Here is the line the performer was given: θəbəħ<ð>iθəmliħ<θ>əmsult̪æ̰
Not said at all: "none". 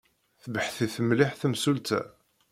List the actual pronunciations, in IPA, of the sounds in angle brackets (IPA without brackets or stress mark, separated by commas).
θ, θ